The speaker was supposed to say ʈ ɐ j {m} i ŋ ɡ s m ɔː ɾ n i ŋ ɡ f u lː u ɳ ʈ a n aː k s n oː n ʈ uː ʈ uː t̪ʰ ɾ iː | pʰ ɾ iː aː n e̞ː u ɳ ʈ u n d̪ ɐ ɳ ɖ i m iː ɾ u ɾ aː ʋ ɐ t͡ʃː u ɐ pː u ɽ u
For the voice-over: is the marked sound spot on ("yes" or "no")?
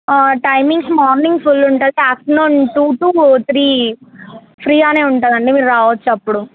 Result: yes